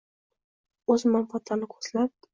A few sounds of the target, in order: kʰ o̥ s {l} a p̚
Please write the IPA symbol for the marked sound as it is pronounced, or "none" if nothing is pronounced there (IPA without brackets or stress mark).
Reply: l